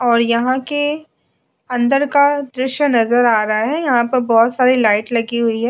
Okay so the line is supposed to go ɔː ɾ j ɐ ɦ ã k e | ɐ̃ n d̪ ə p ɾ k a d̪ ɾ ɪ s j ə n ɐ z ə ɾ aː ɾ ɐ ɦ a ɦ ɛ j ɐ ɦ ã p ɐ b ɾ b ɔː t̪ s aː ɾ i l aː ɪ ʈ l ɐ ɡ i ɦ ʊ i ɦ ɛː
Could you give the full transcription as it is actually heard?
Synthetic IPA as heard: ɔː ɾ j ɐ ɦ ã k e | ɐ̃ n d̪ ə ɾ k a d̪ ɾ ɪ ʃ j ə n ɐ z ə ɾ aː ɾ ɐ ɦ a ɦ ɛ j ɐ ɦ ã p ɐ ɾ b ɔː t̪ s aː ɾ i l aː ɪ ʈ l ɐ ɡ i ɦ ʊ i ɦ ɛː